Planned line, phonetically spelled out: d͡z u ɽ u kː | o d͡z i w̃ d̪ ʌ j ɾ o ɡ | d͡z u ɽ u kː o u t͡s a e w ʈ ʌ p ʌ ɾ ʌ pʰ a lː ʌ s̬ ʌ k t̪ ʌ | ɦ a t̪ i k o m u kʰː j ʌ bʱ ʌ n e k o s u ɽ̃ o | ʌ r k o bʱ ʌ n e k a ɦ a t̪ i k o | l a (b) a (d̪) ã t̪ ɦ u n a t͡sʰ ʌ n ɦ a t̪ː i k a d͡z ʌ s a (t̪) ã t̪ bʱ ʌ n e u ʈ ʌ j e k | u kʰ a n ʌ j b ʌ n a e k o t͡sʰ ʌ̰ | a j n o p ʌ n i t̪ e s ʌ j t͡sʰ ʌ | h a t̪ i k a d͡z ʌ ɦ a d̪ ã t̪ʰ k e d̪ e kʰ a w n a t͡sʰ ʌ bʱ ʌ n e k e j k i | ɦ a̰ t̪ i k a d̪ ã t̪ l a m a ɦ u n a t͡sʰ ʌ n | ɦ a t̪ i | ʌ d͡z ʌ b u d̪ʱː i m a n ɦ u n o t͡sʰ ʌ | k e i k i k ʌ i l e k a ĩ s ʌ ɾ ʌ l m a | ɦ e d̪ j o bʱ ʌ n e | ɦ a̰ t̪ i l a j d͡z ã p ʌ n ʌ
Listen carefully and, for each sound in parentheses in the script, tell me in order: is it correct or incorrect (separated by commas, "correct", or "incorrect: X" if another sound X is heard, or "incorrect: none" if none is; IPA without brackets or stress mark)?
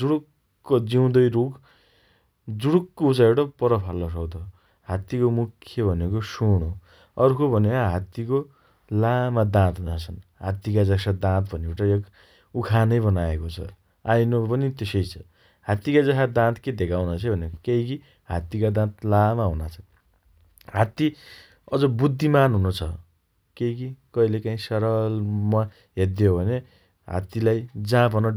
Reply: incorrect: m, correct, incorrect: d̪